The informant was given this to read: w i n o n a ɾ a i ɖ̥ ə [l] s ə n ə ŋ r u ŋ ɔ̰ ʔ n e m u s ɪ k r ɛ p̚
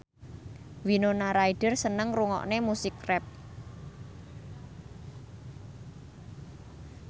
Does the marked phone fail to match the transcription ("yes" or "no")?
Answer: yes